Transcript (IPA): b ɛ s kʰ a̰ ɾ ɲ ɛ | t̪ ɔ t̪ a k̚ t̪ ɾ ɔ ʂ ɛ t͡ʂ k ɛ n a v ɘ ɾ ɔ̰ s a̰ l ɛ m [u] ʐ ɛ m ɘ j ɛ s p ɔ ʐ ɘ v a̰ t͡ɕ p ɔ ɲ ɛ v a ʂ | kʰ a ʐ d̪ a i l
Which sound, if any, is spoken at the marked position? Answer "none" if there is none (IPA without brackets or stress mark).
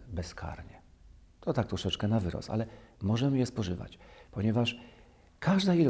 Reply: ɔ